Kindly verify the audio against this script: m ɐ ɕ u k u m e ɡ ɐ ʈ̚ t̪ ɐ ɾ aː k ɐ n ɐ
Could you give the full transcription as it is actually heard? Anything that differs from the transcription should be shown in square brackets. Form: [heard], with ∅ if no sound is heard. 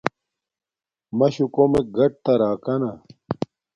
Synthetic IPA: m ɐ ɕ u k [o] m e ɡ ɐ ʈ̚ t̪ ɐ ɾ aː k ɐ n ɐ